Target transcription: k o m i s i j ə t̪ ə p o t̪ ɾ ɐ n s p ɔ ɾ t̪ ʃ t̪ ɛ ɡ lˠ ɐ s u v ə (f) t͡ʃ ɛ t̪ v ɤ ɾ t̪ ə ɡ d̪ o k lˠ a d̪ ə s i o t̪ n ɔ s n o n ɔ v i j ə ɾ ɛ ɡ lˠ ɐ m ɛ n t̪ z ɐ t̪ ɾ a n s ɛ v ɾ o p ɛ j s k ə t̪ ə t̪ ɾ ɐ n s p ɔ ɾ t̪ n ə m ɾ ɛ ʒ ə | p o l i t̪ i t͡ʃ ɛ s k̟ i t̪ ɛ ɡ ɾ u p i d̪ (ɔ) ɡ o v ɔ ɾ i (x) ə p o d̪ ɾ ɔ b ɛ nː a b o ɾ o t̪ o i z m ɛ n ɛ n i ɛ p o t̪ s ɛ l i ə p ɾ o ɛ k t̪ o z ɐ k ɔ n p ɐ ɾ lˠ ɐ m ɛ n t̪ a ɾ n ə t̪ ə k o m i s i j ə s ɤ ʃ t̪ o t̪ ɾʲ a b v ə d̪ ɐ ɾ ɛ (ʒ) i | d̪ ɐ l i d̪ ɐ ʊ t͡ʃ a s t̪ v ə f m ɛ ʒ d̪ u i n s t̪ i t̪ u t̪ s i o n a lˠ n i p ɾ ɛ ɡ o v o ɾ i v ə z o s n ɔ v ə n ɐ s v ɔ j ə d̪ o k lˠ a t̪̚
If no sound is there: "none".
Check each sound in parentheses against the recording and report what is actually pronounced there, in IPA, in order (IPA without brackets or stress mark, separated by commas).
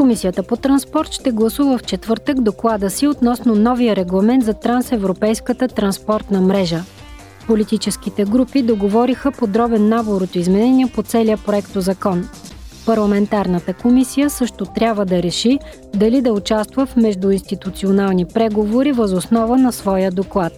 f, o, x, ʃ